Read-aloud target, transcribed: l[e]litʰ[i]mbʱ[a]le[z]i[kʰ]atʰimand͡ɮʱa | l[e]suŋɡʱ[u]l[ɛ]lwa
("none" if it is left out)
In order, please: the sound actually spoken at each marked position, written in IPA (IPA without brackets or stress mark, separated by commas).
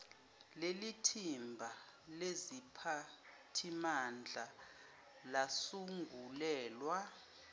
e, i, a, z, pʰ, a, u, ɛː